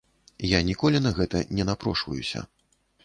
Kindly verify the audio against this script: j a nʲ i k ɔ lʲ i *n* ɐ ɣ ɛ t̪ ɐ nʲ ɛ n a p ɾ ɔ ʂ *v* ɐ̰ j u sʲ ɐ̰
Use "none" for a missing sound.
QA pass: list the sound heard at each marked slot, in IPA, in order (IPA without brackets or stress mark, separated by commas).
n, v